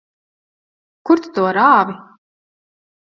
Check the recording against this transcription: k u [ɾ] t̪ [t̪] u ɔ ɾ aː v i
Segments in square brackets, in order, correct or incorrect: correct, correct

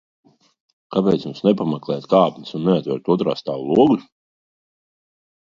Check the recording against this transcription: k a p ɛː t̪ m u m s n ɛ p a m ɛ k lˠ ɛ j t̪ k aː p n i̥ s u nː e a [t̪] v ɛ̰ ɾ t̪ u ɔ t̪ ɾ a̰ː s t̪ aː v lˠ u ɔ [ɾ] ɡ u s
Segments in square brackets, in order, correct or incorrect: correct, incorrect: none

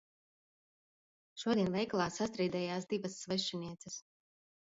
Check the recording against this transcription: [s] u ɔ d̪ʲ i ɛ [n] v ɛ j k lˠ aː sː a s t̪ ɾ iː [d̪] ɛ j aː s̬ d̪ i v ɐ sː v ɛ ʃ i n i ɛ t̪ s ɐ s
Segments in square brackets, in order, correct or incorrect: incorrect: ʃ, correct, correct

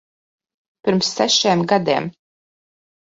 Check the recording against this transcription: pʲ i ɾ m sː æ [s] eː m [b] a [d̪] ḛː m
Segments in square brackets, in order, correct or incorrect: incorrect: ʃ, incorrect: ɡ, correct

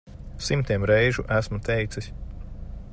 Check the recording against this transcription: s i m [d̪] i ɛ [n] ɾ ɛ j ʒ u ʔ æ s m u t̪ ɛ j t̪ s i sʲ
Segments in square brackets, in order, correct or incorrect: incorrect: t̪, incorrect: m

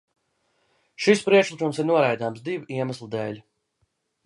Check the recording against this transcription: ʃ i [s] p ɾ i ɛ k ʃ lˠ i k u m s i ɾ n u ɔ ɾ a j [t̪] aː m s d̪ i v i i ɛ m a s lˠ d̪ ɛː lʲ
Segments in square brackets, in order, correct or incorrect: correct, incorrect: d̪

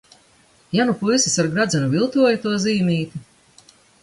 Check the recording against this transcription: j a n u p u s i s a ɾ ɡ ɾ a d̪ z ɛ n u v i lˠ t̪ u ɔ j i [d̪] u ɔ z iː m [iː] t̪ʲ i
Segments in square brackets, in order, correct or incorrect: incorrect: t̪, correct

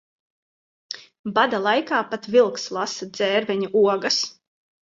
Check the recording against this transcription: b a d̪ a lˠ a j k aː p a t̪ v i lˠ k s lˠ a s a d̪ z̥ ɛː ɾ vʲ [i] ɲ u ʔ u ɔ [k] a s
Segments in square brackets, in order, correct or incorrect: incorrect: ɛ, incorrect: ɡ

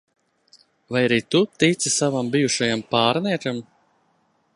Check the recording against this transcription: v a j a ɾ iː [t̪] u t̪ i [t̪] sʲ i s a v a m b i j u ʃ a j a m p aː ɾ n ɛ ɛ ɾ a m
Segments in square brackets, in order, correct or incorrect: correct, correct

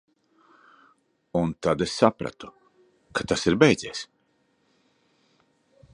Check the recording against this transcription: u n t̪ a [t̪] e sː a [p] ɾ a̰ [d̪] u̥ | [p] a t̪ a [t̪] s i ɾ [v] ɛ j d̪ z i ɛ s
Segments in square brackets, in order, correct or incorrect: incorrect: d̪, correct, incorrect: t̪, incorrect: k, incorrect: none, incorrect: b

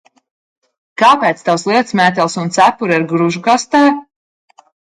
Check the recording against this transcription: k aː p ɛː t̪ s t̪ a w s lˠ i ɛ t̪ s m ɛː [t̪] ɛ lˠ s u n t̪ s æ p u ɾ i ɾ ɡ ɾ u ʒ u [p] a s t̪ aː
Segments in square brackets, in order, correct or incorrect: correct, incorrect: k

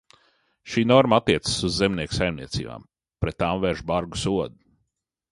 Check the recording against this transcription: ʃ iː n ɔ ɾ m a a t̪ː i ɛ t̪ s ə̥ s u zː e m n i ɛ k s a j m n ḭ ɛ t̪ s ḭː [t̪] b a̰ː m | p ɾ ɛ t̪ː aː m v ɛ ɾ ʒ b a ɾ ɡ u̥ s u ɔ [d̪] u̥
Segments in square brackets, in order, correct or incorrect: incorrect: none, correct

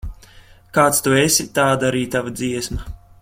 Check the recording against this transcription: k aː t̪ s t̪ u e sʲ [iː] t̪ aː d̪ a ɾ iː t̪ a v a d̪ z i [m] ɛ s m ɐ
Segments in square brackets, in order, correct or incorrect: incorrect: i, incorrect: none

